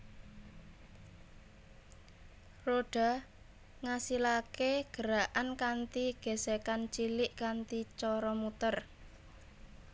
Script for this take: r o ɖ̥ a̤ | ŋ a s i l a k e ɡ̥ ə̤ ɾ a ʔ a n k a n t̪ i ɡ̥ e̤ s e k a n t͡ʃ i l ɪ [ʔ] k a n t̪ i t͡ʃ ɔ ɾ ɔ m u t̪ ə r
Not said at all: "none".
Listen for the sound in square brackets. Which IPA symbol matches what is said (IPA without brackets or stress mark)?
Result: ʔ